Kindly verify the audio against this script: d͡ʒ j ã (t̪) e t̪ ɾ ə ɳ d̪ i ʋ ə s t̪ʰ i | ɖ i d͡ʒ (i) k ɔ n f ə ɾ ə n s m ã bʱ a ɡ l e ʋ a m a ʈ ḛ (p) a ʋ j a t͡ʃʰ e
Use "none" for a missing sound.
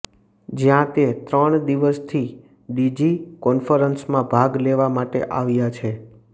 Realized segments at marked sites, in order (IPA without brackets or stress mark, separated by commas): t̪, i, ʔ